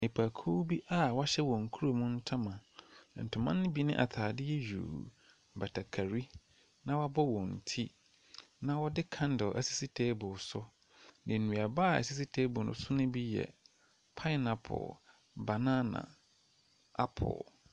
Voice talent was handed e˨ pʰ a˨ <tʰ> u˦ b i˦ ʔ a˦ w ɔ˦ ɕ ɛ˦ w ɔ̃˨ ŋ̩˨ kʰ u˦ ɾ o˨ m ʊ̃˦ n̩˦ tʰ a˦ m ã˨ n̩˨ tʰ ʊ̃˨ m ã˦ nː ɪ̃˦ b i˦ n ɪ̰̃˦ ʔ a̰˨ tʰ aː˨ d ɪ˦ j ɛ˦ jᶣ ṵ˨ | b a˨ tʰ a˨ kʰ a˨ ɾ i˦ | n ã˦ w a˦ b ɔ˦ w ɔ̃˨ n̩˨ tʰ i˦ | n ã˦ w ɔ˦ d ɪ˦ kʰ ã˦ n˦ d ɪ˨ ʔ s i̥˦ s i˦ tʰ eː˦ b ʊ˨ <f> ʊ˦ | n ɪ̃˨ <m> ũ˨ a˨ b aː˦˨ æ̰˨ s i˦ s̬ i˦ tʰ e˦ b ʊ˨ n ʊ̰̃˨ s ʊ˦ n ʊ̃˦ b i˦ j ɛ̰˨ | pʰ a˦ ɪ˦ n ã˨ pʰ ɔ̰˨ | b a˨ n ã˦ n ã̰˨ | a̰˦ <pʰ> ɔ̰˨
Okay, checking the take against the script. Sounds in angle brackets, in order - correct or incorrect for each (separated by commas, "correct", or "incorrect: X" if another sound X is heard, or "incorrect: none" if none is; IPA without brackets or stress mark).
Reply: incorrect: kʰ, incorrect: s, incorrect: n, correct